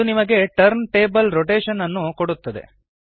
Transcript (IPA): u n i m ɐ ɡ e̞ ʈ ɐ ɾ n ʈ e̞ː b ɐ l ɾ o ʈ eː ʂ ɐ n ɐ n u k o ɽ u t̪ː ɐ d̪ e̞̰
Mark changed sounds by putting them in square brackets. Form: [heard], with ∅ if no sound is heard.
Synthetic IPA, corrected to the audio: u n i m ɐ ɡ e̞ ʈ ɐ ɾ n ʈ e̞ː b ɐ l ɾ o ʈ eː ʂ ɐ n ɐ [nː] u k o ɽ u t̪ː ɐ d̪ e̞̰